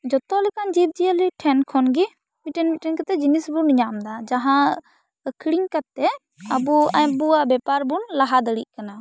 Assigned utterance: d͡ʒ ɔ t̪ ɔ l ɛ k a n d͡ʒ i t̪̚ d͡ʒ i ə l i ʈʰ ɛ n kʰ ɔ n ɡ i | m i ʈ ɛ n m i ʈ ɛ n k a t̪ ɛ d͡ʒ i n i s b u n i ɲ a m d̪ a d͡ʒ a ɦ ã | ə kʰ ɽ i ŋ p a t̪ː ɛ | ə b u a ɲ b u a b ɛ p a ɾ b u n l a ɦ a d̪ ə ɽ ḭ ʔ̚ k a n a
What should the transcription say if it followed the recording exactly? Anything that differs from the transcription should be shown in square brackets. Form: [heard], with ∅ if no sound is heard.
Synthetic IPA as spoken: d͡ʒ ɔ t̪ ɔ l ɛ k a n d͡ʒ i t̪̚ d͡ʒ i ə l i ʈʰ ɛ n kʰ ɔ n ɡ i | m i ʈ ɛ n m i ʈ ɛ n k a t̪ ɛ d͡ʒ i n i s b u n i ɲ a m d̪ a d͡ʒ a ɦ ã | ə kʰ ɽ i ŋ [k] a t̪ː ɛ | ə b u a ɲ b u a b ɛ p a ɾ b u n l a ɦ a d̪ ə ɽ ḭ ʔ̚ k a n a